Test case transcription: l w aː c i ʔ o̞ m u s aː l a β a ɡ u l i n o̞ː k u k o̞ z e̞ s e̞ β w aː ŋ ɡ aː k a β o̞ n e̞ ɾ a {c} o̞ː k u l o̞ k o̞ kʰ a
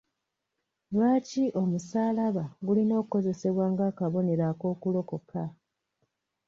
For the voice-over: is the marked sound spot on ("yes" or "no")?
no